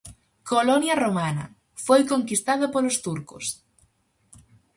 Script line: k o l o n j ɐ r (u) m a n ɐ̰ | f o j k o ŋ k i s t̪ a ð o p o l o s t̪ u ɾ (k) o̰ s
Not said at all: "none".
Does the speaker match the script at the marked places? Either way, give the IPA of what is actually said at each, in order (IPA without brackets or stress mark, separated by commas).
o, k